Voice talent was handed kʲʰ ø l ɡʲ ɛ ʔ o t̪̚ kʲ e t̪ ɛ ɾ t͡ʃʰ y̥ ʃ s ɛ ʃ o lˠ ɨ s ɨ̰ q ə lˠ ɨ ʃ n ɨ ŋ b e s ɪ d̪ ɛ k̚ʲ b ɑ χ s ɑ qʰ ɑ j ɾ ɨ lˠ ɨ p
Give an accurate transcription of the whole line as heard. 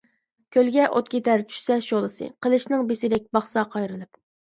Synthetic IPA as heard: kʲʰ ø l ɡʲ ɛ ʔ o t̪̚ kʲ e t̪ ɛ ɾ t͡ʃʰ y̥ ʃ s ɛ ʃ o lˠ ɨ s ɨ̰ q ə lˠ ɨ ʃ n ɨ ŋ b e s ɪ d̪ ɛ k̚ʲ b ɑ χ s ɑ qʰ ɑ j ɾ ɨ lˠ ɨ p